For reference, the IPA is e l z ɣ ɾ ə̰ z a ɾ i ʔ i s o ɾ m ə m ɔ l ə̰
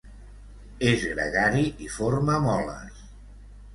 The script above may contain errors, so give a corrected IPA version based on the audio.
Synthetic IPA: e z ɣ ɾ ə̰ ɣ a ɾ i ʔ i f o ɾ m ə m ɔ l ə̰